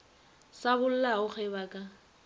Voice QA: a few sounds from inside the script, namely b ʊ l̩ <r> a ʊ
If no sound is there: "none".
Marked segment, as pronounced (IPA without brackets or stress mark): l